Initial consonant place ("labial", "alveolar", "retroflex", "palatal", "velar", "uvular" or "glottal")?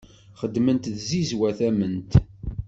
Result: uvular